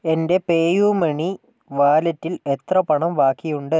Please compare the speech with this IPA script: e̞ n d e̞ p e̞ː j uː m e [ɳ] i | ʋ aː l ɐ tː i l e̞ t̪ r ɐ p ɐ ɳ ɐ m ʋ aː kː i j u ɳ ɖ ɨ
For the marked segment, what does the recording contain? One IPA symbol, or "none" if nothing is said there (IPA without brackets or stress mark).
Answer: ɳ